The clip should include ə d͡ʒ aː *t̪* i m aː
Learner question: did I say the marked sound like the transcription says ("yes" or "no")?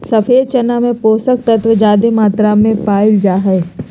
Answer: no